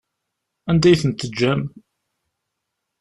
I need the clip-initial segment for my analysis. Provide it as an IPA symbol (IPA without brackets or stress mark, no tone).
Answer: æ